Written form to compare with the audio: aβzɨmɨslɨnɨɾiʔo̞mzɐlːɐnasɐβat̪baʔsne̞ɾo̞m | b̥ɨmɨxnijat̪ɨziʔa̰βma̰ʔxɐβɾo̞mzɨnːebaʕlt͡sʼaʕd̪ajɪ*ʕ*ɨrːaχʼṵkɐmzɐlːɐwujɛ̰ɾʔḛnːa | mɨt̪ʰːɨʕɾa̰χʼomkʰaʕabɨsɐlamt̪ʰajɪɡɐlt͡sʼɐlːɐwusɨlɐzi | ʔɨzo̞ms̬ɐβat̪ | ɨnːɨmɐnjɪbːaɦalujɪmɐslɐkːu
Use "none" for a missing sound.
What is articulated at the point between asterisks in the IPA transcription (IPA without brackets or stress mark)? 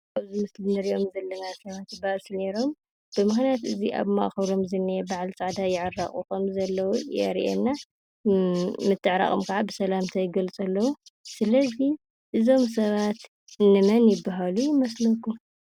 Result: ʕ